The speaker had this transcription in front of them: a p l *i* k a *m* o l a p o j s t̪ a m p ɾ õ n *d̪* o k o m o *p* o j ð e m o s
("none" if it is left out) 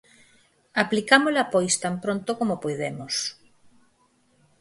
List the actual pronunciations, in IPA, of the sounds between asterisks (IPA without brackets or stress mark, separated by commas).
i, m, t̪, p